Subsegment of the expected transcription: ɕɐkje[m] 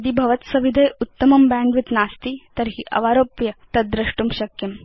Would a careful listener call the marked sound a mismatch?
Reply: no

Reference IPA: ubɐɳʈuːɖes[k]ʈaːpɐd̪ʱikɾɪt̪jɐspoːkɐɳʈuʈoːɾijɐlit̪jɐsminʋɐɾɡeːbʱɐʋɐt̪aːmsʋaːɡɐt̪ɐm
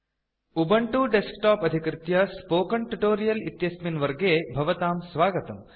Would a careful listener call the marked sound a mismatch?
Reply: no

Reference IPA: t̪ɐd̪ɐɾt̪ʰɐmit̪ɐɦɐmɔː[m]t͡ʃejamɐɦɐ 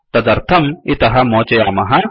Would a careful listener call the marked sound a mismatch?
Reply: yes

